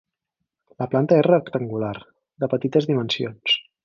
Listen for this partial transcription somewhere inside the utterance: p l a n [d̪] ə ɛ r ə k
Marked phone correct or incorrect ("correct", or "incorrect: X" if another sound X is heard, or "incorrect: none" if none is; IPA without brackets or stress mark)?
incorrect: t̪